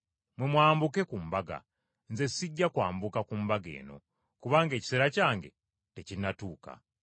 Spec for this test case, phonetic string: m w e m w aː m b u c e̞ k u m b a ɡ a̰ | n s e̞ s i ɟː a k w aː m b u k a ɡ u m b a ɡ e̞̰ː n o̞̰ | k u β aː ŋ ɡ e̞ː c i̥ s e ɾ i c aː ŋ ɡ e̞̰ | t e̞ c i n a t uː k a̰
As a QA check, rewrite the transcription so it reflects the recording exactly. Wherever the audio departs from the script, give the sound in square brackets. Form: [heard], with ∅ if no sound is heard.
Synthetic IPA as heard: m w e m w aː m b u [k] e̞ k u m b a ɡ a̰ | n [z] e̞ s i ɟː a k w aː m b u k a [k] u m b a ɡ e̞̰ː n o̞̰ | k u β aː ŋ ɡ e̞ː c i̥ s e ɾ [a] c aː ŋ ɡ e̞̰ | t e̞ c i n a t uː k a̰